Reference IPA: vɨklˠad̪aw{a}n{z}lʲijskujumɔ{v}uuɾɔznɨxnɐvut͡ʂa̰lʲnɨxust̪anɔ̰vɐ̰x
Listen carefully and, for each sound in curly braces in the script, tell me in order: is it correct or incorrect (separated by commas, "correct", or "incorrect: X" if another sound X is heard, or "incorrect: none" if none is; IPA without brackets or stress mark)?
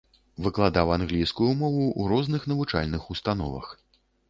correct, incorrect: ɣ, correct